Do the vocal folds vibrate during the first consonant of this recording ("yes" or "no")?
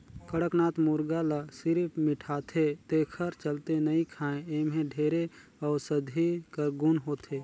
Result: no